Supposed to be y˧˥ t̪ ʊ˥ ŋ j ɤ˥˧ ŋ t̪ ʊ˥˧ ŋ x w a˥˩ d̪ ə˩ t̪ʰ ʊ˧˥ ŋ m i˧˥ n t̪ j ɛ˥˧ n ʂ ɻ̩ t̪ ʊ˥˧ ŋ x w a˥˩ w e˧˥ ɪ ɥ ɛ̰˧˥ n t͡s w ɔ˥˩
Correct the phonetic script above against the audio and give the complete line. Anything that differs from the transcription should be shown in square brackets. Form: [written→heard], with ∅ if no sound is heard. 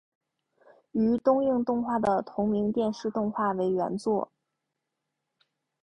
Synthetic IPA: y˧˥ t̪ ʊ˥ ŋ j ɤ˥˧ ŋ t̪ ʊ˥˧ ŋ x w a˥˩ d̪ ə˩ t̪ʰ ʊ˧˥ ŋ m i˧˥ [n→ŋ] t̪ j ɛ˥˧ n ʂ ɻ̩ t̪ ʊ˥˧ ŋ x w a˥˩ w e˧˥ ɪ ɥ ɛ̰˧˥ n t͡s w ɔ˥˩